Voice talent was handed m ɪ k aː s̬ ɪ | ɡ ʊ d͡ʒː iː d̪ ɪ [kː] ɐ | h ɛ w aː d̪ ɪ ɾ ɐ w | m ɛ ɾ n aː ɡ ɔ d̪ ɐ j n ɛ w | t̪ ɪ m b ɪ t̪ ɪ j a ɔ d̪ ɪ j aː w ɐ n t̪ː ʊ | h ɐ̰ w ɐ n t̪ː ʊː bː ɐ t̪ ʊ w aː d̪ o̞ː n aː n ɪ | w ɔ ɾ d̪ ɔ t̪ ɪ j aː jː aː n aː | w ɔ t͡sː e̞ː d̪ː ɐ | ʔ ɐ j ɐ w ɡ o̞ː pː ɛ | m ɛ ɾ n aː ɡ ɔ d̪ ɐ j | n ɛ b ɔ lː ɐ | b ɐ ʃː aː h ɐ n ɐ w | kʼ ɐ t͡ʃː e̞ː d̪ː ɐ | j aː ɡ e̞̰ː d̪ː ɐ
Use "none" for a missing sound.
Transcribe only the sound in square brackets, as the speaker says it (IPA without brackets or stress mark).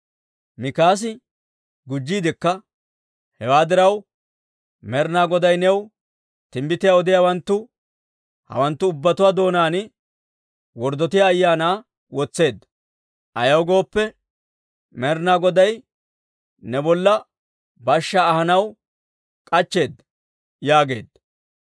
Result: kː